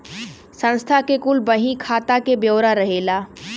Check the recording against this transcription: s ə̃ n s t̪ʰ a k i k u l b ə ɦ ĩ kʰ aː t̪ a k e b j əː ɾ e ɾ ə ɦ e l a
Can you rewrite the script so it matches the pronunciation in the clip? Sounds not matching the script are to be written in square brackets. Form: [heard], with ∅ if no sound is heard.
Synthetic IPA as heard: s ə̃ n s t̪ʰ a k [e] k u l b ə ɦ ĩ kʰ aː t̪ a k e b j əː ɾ [a] ɾ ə ɦ e l a